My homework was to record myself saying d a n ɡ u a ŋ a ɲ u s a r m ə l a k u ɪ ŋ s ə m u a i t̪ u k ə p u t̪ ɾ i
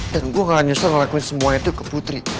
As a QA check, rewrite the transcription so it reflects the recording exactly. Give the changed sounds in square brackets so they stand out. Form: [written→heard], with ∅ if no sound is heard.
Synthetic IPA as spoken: d a n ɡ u a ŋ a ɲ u s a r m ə l a k u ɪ [ŋ→n] s ə m u a i t̪ u k ə p u t̪ ɾ i